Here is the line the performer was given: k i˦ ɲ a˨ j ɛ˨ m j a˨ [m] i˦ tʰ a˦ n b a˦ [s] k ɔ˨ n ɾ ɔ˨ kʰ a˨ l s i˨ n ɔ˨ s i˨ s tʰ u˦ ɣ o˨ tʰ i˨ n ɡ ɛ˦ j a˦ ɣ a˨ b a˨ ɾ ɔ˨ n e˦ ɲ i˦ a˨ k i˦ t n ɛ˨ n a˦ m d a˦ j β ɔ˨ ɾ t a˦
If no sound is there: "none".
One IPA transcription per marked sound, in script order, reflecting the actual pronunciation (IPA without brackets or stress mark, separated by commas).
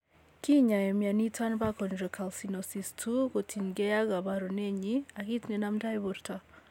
n, none